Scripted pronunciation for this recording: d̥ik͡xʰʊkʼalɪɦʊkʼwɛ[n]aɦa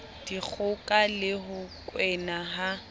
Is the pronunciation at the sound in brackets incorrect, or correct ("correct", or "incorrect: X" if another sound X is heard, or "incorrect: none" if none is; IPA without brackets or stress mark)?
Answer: correct